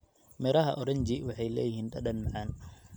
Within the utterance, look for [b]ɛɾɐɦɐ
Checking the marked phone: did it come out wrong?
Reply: yes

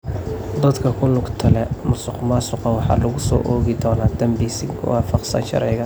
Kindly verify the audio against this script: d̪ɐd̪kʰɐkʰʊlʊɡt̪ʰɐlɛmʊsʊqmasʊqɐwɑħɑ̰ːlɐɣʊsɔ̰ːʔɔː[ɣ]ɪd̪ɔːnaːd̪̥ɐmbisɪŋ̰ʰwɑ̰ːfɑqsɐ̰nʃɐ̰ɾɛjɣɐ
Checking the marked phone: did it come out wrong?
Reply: no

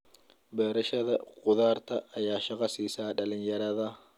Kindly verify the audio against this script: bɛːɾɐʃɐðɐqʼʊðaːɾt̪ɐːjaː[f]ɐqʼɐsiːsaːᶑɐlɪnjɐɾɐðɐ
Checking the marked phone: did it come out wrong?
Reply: yes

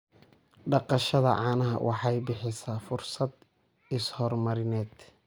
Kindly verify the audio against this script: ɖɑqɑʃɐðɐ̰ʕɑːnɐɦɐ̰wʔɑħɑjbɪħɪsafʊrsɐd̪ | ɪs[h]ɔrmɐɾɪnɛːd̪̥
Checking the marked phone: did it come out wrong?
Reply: no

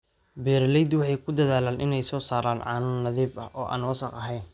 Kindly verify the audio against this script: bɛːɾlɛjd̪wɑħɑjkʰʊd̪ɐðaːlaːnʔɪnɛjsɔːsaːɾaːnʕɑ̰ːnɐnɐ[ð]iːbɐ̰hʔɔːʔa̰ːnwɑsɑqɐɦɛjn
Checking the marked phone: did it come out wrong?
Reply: no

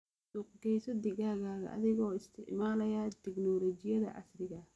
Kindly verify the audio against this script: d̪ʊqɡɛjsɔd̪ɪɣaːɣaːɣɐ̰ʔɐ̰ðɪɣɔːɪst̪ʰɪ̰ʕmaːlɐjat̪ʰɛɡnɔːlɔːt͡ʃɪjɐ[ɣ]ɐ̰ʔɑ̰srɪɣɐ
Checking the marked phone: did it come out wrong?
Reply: yes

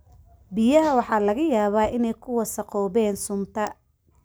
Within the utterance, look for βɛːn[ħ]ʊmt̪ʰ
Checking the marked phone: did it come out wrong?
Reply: yes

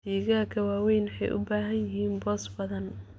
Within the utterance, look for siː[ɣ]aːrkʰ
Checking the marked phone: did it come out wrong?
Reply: no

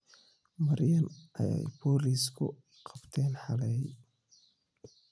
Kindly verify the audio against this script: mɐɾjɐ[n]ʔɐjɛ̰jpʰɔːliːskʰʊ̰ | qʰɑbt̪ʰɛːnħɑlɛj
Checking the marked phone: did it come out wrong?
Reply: no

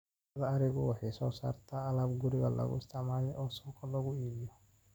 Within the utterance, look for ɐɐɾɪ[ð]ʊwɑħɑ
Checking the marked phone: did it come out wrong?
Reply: yes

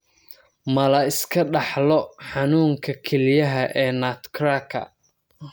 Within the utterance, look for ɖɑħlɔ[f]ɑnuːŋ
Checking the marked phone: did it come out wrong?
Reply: yes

